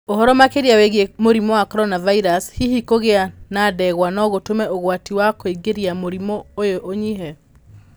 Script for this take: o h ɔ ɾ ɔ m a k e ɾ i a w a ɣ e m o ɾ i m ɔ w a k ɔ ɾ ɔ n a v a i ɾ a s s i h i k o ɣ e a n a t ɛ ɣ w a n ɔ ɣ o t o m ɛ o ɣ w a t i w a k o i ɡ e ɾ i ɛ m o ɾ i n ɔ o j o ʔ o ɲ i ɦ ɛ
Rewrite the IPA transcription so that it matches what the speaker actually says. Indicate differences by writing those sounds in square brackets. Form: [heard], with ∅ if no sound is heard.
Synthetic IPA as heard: o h ɔ ɾ ɔ m a k e ɾ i a w [e] ɣ e m o ɾ i m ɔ w a k ɔ ɾ ɔ n a v a i ɾ a s [h] i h i k o ɣ e a n a [d] ɛ ɣ w a n ɔ ɣ o t o m ɛ o ɣ w a t i w a k o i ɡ e ɾ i [a] m o ɾ i [m] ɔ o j o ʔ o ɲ i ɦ ɛ

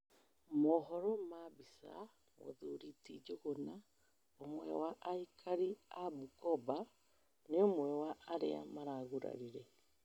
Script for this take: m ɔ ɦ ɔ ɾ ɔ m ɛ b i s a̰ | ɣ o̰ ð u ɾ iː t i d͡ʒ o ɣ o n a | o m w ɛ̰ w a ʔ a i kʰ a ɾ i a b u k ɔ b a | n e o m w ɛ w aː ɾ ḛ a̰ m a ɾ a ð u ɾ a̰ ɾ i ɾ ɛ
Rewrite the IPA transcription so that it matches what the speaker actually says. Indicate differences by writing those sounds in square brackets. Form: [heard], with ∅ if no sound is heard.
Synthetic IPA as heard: m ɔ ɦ ɔ ɾ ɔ m [a] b i s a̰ | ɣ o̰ ð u ɾ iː t i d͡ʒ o ɣ o n a | o m w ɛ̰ w a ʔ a i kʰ a ɾ i a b u k ɔ b a | n e o m w ɛ w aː ɾ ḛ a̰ m a ɾ a [ɣ] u ɾ a̰ ɾ i ɾ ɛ

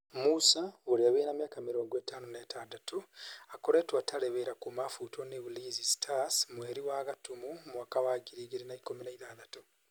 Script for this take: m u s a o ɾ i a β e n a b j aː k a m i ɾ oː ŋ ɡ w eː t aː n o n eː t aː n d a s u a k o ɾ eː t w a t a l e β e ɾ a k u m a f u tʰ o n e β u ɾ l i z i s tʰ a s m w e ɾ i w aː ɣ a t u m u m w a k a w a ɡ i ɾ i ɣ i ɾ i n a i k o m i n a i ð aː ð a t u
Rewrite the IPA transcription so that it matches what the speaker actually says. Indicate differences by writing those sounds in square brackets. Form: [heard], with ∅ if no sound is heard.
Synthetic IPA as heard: m u s a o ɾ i a β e n a [m] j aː k a m i ɾ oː ŋ ɡ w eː t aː n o n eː t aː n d a [t] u a k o ɾ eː t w a t a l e β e ɾ a k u m a f u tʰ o n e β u [∅] l i z i s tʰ a s m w e ɾ i w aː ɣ a t u m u m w a k a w a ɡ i ɾ i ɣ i ɾ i n a i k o m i n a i ð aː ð a t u

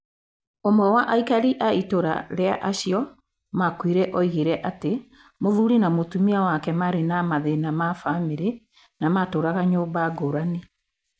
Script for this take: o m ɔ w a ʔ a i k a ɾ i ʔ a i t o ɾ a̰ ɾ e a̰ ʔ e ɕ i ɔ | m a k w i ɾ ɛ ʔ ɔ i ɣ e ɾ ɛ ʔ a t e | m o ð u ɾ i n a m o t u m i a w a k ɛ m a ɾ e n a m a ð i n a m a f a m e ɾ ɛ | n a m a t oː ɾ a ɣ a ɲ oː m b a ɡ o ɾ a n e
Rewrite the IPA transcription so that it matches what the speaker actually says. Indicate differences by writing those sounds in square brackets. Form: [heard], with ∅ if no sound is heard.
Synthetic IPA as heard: o m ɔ w a ʔ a i k a ɾ i ʔ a i t o ɾ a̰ ɾ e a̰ ʔ [a] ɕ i ɔ | m a k w i ɾ ɛ ʔ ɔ i ɣ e ɾ ɛ ʔ a t e | m o ð u ɾ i n a m o t u m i a w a k ɛ m a ɾ e n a m a ð [e] n a m a f a m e ɾ [e] | n a m a t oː ɾ a ɣ a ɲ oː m b a ɡ o ɾ a n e

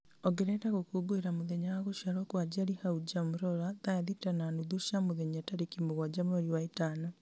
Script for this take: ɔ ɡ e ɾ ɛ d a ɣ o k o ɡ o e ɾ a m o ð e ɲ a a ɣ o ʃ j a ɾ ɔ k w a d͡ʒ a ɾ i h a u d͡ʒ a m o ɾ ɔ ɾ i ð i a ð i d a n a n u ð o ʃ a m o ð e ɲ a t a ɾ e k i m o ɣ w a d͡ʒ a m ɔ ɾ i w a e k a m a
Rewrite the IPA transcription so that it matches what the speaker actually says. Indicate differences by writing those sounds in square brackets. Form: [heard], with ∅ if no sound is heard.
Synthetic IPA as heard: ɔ ɡ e ɾ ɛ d a ɣ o k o ɡ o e ɾ a m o ð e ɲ a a ɣ o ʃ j a ɾ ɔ k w a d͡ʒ a ɾ i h a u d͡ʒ a m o ɾ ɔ ɾ [a] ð [a] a ð i [t] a n a n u ð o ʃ a m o ð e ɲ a t a ɾ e k i m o ɣ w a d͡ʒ a m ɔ ɾ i w a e [t] a [n] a

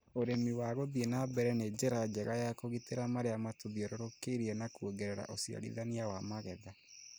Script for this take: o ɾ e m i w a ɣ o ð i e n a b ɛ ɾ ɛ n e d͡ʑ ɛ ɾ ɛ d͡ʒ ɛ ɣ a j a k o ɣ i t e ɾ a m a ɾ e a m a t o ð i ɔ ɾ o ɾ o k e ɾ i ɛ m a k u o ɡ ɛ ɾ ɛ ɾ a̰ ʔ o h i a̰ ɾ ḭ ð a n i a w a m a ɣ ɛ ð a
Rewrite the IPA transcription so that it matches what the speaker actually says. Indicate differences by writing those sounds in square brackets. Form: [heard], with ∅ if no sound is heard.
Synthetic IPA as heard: o ɾ e m i w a ɣ o ð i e n a b ɛ ɾ ɛ n e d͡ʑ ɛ ɾ [a] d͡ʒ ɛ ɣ a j a k o ɣ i t e ɾ a m a ɾ e a m a t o ð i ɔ ɾ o ɾ o k e ɾ i ɛ [n] a k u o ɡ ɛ ɾ ɛ ɾ a̰ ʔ o [s] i a̰ ɾ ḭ ð a n i a w a m a ɣ ɛ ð a

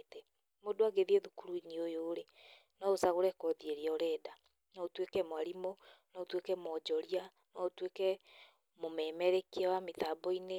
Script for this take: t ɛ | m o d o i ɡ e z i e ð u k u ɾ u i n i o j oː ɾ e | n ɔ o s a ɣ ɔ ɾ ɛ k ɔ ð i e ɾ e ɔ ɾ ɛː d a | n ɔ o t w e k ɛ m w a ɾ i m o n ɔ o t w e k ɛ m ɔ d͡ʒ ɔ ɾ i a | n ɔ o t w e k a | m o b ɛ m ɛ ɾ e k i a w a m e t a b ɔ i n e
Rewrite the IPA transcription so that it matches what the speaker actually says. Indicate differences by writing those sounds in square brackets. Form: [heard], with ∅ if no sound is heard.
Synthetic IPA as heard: t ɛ | m o d o [a] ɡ e [ð] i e ð u k u ɾ u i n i o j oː ɾ e | n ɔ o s a ɣ [o] ɾ ɛ k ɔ ð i e ɾ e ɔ ɾ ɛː d a | n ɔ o t w e k ɛ m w a ɾ i m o n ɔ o t w e k ɛ m ɔ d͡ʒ ɔ ɾ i a | n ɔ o t w e k [ɛ] | m o [m] ɛ m ɛ ɾ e k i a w a m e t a b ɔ i n e

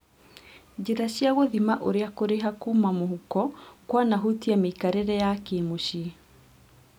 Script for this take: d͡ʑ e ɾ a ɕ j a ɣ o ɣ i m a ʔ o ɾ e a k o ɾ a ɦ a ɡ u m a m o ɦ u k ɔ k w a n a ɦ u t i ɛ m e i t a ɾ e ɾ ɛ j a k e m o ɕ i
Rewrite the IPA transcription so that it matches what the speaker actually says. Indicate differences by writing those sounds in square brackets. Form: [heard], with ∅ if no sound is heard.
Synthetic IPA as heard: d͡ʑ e ɾ a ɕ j a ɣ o [ð] i m a ʔ o ɾ e a k o ɾ [e] ɦ a [k] u m a m o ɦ u k ɔ k w a n a ɦ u t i [a] m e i [k] a ɾ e ɾ ɛ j a k e m o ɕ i

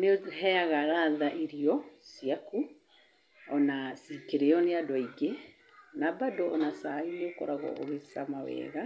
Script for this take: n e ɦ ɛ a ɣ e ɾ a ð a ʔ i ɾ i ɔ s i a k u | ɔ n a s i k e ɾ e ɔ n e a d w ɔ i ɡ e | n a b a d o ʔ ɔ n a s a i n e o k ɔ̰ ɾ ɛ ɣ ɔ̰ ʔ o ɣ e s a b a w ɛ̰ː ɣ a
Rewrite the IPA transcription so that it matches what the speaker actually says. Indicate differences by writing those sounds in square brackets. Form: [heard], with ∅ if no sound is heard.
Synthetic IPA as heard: n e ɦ ɛ a ɣ [a] ɾ a ð a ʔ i ɾ i ɔ s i a k u | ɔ n a s i k e ɾ e ɔ n e a d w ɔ i ɡ e | n a b a d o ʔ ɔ n a s a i n e o k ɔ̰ ɾ [a] ɣ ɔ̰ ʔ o ɣ e s a [m] a w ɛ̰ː ɣ a

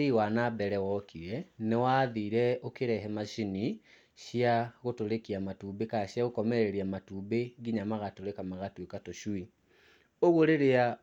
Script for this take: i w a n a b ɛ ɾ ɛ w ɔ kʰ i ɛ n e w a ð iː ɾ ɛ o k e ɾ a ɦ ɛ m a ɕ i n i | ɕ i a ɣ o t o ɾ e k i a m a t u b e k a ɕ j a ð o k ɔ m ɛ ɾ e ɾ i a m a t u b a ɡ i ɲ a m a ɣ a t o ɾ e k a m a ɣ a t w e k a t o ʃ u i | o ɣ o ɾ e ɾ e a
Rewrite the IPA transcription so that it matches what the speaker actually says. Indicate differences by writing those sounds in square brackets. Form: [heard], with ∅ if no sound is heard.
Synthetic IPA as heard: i w a n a b ɛ ɾ ɛ w ɔ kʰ i ɛ n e w a ð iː ɾ ɛ o k e ɾ [ɛ] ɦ ɛ m a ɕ i n i | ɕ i a ɣ o t o ɾ e k i a m a t u b e k a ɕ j a [ɣ] o k ɔ m ɛ ɾ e ɾ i a m a t u b [e] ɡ i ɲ a m a ɣ a t o ɾ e k a m a ɣ a t w e k a t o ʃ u i | o ɣ o ɾ e ɾ e a

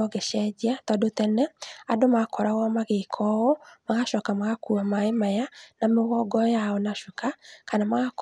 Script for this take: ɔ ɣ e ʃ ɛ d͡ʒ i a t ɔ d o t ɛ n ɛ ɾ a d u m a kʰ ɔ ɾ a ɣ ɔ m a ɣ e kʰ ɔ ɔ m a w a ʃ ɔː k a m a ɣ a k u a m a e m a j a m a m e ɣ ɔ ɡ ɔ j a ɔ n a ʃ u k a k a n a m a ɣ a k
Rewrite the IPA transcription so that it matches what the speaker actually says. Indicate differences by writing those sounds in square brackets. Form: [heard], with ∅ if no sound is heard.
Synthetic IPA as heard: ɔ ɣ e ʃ ɛ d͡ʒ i a t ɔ d o t ɛ n ɛ [∅] a d [o] m a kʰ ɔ ɾ a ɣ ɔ m a ɣ e kʰ ɔ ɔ m a [ɣ] a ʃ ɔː k a m a ɣ a k u a m a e m a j a [n] a m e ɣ ɔ ɡ ɔ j a ɔ n a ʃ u k a k a n a m a ɣ a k

